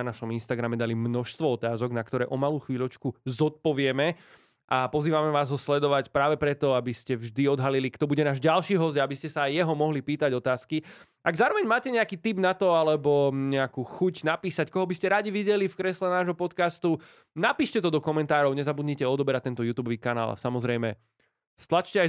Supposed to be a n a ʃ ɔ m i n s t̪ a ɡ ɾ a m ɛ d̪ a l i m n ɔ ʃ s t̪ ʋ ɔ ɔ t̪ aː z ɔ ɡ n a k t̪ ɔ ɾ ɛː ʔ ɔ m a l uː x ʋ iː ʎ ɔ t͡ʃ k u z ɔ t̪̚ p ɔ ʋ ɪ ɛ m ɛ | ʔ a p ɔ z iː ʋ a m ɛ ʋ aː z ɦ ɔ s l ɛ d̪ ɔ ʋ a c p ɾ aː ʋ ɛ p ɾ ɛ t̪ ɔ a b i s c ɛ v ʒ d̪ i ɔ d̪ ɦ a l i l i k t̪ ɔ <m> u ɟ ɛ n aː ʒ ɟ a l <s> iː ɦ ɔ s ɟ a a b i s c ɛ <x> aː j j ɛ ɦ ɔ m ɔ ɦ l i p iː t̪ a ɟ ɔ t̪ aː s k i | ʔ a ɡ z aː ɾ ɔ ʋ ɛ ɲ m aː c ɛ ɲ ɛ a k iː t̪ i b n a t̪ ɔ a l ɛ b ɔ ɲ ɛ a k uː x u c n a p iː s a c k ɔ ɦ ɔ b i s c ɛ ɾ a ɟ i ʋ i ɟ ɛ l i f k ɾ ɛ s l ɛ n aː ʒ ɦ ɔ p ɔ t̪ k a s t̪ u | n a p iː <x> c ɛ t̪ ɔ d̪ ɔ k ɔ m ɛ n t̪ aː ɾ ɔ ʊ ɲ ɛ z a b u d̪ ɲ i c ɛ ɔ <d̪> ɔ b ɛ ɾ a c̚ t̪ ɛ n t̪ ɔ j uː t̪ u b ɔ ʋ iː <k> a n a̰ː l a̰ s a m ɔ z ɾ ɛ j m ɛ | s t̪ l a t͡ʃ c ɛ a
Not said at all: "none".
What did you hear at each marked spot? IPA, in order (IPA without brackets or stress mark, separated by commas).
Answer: b, ʃ, s, ʃ, d̪, k